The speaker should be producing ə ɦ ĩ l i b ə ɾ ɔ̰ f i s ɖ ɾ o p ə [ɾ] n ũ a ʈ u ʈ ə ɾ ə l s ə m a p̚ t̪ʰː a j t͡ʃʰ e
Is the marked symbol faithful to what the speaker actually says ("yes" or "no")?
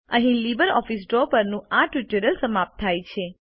yes